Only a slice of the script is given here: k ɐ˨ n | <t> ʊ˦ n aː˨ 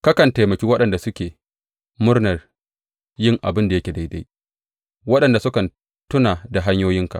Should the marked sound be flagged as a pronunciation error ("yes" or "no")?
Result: no